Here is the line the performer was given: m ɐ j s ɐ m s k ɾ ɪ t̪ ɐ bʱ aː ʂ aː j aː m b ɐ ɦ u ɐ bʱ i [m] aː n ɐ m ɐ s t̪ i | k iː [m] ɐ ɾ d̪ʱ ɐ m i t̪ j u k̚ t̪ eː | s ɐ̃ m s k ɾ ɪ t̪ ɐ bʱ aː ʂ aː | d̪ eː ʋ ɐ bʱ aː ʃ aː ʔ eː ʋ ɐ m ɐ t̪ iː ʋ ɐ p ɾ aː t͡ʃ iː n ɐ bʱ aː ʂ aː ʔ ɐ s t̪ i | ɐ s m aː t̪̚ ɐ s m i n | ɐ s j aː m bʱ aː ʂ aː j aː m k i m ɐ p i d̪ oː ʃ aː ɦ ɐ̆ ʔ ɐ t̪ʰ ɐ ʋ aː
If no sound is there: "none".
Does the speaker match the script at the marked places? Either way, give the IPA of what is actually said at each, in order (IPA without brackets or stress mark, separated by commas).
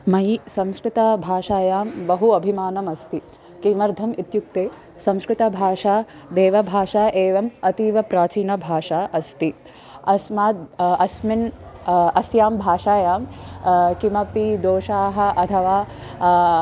m, m